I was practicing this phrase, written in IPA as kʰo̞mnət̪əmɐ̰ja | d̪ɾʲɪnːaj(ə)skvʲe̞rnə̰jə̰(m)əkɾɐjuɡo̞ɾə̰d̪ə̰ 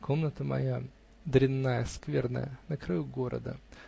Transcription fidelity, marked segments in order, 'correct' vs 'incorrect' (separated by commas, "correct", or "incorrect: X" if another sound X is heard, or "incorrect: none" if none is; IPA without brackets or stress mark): correct, incorrect: n